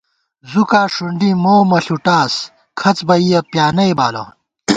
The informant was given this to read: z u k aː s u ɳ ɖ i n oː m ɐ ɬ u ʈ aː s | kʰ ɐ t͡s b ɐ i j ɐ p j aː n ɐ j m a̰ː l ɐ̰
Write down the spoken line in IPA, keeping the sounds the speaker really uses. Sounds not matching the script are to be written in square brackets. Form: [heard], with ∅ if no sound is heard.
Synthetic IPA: z u k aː [ʂ] u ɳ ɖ i [m] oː m ɐ ɬ u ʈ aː s | kʰ ɐ t͡s b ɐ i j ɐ p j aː n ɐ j [b] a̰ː l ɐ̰